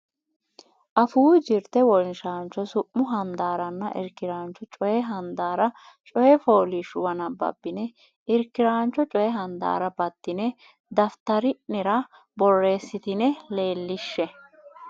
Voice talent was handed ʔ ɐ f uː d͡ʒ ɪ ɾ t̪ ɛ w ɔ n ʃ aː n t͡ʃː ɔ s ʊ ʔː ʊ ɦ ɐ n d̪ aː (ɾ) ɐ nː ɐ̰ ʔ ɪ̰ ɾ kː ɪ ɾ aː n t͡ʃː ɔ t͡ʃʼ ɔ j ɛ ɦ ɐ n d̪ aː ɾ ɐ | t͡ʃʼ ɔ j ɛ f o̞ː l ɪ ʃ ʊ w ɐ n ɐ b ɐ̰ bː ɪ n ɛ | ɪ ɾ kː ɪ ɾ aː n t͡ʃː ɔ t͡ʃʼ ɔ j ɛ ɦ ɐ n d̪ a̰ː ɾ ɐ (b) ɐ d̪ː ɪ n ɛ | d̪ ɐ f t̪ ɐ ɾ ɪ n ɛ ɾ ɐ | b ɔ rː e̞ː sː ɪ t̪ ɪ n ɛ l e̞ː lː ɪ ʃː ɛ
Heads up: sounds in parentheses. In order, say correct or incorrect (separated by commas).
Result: correct, correct